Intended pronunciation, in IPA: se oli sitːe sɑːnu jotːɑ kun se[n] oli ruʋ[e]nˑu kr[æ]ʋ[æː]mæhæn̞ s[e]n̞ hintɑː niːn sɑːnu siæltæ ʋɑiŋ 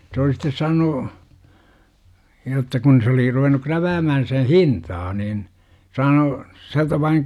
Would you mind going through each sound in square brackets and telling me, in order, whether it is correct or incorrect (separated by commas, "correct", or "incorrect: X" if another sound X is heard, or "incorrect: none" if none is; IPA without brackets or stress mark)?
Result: incorrect: none, correct, correct, correct, correct